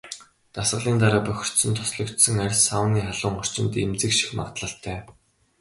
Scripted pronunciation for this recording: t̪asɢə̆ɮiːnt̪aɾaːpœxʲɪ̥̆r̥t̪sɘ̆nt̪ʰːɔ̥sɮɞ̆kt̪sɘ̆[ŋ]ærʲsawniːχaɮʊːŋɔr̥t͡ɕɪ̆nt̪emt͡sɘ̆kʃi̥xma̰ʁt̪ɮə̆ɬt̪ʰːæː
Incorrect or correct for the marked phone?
correct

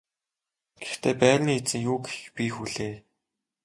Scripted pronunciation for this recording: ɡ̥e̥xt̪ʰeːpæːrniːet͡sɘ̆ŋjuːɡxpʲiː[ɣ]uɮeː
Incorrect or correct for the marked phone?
incorrect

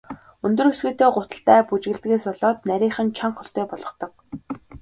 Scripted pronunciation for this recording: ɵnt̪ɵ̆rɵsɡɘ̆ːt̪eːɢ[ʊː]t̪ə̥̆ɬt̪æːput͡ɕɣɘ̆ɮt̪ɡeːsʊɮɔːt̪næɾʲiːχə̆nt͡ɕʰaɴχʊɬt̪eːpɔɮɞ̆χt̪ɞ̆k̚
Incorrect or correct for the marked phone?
incorrect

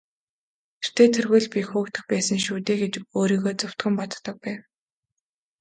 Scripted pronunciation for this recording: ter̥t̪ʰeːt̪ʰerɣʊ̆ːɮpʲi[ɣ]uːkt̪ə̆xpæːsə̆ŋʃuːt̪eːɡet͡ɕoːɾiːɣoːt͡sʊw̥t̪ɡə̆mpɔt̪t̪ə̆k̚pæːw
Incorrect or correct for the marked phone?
incorrect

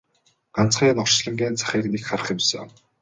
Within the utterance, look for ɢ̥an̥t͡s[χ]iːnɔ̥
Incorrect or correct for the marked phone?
correct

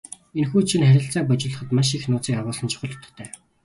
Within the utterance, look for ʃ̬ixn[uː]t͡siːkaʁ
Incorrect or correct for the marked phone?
incorrect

